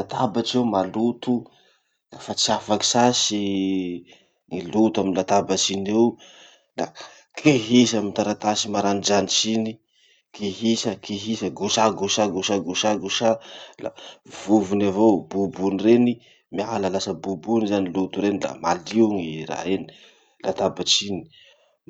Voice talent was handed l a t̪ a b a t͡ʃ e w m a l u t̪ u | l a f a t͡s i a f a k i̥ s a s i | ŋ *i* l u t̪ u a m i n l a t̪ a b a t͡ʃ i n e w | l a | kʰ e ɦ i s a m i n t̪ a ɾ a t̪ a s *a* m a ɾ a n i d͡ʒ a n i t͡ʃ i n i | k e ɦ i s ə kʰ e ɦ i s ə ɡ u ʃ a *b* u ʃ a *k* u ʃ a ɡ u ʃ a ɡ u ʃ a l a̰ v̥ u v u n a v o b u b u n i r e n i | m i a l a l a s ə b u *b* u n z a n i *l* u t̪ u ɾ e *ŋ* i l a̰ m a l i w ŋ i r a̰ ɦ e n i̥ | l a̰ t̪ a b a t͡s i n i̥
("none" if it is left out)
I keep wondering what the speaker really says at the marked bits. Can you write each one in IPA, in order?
i, i, ɡ, ɡ, b, l, n

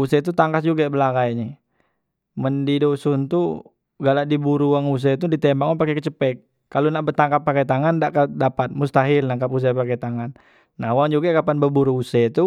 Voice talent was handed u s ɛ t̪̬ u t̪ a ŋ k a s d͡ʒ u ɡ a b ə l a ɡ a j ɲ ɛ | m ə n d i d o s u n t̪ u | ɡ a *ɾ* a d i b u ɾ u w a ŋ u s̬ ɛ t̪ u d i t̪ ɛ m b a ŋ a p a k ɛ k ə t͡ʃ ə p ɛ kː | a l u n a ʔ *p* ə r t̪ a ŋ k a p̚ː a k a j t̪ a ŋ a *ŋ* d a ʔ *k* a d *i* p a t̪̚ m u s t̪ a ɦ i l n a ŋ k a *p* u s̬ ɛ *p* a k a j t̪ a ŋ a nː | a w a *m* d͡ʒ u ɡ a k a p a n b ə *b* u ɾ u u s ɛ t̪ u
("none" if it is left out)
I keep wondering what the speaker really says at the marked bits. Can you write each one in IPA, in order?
l, b, n, k, a, p, p, ŋ, b

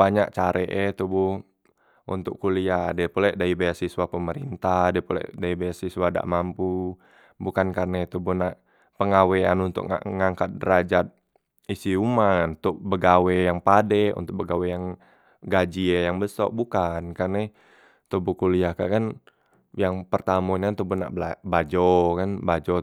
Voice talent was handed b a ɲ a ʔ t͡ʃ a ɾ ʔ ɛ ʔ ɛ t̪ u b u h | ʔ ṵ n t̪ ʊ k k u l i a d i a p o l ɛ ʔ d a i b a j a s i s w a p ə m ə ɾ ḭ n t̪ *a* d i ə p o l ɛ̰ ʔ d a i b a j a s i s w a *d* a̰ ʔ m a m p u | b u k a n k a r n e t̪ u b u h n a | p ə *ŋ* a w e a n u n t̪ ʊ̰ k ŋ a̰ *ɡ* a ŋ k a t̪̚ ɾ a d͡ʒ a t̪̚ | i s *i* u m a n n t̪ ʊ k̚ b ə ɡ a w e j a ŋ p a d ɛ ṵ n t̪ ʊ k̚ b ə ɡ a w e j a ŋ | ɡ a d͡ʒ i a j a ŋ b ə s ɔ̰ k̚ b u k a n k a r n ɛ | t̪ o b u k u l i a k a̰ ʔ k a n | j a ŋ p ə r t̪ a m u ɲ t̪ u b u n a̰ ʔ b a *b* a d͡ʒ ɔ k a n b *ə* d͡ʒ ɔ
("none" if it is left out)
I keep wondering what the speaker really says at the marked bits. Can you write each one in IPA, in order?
a, d, ŋ, ŋ, i, b, a

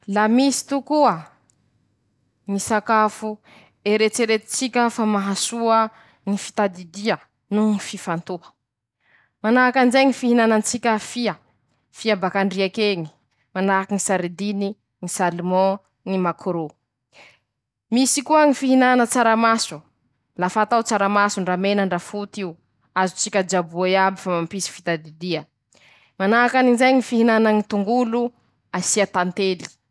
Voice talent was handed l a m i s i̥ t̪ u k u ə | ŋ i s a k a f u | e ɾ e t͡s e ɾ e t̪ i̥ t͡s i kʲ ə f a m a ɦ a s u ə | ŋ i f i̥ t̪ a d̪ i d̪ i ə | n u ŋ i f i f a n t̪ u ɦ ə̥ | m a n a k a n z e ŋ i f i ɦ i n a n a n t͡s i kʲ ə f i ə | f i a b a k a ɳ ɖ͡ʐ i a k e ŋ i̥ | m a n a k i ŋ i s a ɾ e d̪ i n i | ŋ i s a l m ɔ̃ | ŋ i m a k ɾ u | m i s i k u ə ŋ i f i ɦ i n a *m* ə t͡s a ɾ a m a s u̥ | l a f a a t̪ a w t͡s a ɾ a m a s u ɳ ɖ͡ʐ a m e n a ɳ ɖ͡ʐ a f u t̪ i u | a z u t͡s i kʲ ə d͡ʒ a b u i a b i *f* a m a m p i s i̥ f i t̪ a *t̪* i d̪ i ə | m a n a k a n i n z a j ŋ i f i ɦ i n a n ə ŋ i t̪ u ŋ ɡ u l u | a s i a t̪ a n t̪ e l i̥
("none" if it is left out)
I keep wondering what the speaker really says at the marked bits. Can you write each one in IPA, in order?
n, f, d̪

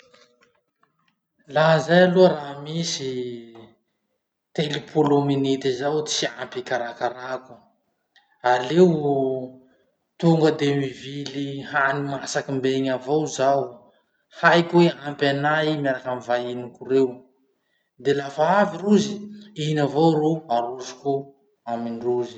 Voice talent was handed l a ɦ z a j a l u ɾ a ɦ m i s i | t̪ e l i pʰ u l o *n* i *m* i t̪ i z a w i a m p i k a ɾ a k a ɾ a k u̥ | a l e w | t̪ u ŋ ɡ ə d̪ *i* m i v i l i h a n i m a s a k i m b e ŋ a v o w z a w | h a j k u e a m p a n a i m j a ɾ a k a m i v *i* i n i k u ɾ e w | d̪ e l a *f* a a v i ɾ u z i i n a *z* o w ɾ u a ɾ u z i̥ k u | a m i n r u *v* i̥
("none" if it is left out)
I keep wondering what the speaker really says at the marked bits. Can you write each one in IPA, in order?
m, n, e, a, f, v, z

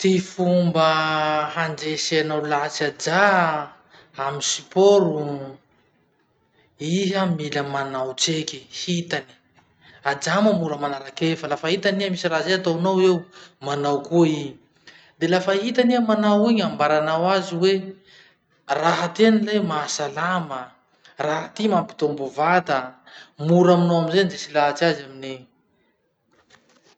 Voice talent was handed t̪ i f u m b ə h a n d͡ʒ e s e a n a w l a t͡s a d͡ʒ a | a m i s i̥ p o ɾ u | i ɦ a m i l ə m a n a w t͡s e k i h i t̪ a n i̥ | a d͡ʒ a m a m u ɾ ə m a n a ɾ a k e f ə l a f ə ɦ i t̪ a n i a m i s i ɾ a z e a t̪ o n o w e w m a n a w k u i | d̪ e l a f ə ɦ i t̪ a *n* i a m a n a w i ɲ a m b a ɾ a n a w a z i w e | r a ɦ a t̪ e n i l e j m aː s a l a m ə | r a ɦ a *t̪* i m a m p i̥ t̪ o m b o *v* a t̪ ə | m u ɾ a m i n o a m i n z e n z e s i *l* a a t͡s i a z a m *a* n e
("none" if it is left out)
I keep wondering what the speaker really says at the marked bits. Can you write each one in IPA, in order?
n, t̪, v, l, i

